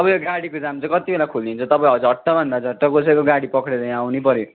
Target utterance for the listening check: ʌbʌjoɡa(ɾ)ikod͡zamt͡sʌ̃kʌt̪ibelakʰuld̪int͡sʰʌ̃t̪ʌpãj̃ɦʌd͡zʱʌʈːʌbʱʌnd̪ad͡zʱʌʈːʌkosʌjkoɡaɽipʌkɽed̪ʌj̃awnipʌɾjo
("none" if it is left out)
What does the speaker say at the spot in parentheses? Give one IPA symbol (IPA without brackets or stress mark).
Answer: ɽ